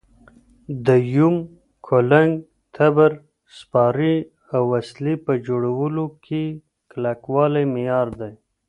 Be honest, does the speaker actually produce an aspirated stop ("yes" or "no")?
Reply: yes